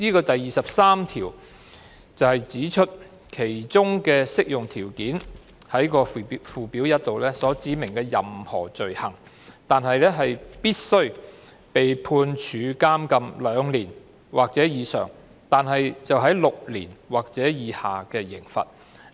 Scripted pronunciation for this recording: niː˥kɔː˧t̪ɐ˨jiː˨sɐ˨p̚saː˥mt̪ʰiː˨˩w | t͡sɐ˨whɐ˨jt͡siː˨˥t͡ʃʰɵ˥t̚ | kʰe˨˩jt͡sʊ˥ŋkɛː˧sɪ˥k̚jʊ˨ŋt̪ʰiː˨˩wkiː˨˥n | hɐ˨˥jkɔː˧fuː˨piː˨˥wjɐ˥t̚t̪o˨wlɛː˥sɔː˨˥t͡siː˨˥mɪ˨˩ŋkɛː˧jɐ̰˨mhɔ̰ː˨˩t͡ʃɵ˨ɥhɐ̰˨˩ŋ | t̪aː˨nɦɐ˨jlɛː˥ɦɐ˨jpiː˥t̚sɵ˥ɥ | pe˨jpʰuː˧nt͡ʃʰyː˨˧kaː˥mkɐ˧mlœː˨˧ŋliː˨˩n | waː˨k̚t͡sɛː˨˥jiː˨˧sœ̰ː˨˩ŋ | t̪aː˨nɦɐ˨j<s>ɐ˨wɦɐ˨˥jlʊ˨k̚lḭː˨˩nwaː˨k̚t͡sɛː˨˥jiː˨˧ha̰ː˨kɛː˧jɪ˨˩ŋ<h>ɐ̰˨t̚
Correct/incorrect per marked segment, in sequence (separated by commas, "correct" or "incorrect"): incorrect, incorrect